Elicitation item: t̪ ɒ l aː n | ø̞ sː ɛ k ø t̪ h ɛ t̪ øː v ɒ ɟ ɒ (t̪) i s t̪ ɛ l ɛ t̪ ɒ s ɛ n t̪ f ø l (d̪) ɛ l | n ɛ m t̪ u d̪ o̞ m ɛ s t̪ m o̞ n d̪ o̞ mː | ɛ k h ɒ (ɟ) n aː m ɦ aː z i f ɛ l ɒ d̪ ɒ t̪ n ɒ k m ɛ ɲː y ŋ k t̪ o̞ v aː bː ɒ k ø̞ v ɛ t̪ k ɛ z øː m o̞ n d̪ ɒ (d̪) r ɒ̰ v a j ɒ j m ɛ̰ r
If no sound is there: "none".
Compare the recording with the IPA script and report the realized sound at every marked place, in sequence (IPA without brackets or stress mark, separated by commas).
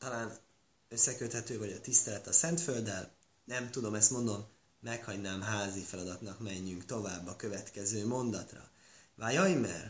t̪, d̪, ɟ, t̪